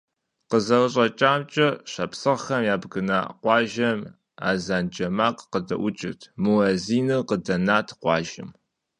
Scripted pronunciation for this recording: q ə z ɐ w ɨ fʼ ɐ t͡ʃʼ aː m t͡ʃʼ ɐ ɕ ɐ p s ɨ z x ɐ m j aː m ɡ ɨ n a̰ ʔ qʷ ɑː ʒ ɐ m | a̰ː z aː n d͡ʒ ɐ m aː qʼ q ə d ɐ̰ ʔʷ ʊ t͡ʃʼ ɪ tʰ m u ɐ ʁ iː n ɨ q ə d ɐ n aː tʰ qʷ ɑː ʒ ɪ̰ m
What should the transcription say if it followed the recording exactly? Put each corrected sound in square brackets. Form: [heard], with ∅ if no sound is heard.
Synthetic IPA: q ə z ɐ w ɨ [ɕʼ] ɐ t͡ʃʼ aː m t͡ʃʼ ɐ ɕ ɐ p s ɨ [ʁ] x ɐ m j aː [b] ɡ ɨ n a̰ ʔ qʷ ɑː ʒ ɐ m | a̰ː z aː n d͡ʒ ɐ m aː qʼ q ə d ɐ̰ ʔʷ ʊ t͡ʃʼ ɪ tʰ m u ɐ [z] iː n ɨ q ə d ɐ n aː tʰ qʷ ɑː ʒ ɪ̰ m